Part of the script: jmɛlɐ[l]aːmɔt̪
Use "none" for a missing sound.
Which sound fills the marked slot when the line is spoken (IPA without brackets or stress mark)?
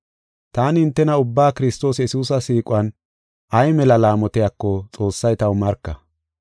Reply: l